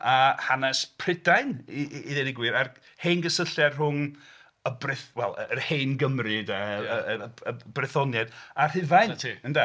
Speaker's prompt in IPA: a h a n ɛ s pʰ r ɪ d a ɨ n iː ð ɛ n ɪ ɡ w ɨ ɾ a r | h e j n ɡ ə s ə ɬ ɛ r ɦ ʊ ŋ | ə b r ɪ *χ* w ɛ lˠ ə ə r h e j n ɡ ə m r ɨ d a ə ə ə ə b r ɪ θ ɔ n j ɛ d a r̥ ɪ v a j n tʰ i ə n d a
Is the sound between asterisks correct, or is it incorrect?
incorrect